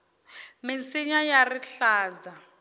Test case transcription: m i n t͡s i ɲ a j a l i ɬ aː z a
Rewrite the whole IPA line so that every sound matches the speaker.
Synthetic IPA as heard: m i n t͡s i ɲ a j a r i ɬ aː z a